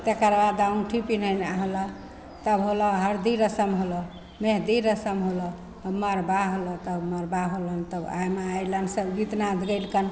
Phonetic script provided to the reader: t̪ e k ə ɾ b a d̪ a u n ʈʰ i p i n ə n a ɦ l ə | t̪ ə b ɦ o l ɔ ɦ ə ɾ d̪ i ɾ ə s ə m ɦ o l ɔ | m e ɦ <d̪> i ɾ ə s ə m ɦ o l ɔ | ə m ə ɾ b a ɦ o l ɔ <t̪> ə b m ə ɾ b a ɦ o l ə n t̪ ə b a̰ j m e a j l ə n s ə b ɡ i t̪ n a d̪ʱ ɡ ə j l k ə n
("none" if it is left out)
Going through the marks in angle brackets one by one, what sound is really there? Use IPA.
d̪, t̪

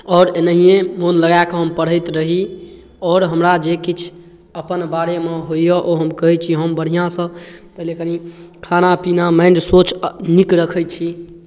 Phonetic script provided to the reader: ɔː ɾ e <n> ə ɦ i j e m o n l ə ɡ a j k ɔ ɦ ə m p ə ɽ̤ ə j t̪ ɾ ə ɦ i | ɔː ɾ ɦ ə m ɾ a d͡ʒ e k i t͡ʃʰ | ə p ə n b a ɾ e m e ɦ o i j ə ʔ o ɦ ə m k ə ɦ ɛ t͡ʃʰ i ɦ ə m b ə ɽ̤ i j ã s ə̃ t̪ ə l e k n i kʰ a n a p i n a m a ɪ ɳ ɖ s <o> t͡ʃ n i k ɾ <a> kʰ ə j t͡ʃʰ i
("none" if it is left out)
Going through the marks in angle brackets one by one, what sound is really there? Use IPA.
n, o, ə

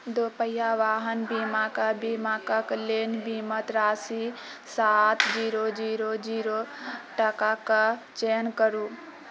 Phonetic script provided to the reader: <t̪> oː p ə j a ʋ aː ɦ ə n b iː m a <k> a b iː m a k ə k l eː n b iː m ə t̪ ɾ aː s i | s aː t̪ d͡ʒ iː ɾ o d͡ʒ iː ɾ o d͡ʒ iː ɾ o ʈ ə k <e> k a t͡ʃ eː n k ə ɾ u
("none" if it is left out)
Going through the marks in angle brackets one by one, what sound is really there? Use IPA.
d̪, k, a

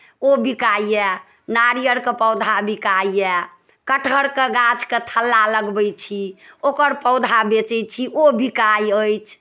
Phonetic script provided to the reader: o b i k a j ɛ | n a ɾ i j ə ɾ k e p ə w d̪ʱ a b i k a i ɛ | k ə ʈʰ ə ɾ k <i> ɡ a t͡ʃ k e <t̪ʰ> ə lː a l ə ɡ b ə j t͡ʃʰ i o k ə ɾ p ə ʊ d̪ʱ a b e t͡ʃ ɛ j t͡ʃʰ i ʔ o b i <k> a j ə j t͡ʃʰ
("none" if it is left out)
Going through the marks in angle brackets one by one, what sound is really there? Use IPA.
e, t̪ʰ, k

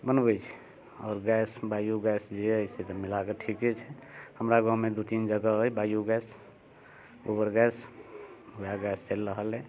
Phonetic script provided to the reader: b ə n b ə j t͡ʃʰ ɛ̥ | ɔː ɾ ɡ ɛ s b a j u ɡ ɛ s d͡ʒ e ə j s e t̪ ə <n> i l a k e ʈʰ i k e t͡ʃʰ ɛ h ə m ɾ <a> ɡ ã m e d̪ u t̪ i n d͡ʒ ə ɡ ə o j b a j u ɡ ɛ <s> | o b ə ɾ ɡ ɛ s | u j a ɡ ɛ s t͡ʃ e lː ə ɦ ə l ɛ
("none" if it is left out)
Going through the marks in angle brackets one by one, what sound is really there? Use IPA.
m, a, s

